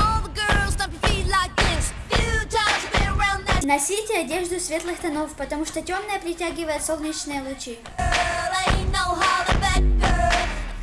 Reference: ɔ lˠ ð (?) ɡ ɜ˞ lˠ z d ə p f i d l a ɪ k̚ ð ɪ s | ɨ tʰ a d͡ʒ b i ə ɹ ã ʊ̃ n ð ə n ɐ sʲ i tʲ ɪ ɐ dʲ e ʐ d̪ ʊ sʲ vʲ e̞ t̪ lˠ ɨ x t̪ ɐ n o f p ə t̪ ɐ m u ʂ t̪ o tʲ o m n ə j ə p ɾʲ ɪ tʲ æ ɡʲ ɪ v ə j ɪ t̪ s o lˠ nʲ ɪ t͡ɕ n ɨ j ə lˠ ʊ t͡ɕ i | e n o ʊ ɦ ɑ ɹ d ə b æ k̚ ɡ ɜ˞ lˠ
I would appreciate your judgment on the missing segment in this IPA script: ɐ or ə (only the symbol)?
ə